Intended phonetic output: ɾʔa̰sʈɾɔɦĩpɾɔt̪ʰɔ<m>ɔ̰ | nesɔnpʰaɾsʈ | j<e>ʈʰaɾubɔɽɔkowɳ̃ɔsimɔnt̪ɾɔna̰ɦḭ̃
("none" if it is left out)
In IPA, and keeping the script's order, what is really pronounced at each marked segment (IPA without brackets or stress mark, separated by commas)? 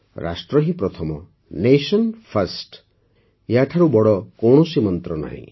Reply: m, a